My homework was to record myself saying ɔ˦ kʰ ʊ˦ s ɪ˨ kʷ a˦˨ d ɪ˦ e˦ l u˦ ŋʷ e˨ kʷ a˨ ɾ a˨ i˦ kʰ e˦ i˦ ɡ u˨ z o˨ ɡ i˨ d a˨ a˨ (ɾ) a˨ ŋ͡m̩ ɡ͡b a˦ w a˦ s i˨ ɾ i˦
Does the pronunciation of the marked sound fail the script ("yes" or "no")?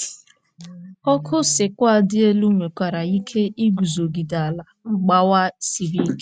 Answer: yes